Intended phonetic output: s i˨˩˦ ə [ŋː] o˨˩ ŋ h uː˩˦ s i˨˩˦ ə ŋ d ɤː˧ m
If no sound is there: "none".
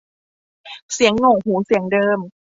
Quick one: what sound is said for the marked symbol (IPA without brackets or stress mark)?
ŋː